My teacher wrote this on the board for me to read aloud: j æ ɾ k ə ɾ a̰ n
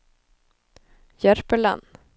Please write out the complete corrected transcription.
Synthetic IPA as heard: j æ ɾ p ə ɭ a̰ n